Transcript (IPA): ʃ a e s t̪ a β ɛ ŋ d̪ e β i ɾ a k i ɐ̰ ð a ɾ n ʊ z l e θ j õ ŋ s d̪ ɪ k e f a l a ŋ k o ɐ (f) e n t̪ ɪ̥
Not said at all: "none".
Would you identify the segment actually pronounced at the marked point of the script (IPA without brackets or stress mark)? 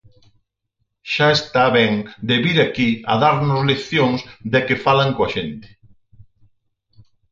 ʃ